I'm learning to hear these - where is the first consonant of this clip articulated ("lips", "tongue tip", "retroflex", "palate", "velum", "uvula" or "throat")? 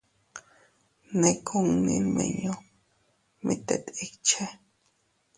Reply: tongue tip